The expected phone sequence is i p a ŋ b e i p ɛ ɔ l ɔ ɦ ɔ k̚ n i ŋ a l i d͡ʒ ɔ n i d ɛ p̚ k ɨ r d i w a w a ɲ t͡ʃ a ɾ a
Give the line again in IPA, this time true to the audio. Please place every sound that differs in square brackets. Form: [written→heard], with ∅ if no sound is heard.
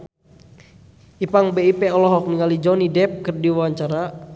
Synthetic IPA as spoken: i p a ŋ b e i p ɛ ɔ l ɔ ɦ ɔ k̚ n i ŋ a l i d͡ʒ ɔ n i d ɛ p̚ k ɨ r d i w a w a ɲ t͡ʃ a ɾ a